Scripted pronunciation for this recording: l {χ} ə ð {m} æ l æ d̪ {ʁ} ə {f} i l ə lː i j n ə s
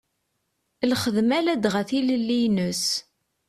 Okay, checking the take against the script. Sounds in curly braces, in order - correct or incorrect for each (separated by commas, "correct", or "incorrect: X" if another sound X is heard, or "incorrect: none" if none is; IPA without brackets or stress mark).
correct, correct, correct, incorrect: θ